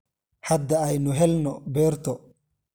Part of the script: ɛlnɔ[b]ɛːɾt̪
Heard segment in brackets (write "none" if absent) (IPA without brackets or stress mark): b